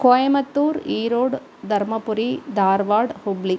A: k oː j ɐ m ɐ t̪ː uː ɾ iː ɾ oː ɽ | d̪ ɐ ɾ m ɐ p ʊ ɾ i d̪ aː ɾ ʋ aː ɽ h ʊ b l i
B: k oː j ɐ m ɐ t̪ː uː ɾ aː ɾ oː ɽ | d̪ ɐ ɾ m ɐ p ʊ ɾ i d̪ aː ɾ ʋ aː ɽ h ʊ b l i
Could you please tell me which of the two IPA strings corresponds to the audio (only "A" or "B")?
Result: A